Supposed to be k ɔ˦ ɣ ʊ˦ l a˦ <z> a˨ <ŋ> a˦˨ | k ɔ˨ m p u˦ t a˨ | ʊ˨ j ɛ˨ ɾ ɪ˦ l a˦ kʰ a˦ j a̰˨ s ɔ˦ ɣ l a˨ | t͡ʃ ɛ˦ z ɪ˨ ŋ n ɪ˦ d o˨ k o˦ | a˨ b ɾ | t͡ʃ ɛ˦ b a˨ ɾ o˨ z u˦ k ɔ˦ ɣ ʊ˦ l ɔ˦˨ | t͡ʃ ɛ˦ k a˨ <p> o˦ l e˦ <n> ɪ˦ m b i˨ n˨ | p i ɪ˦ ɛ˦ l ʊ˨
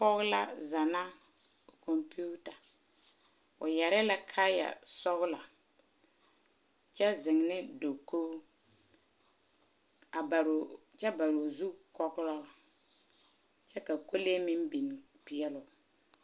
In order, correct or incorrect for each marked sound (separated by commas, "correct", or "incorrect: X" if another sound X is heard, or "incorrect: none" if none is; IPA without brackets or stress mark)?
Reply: correct, incorrect: n, incorrect: k, incorrect: m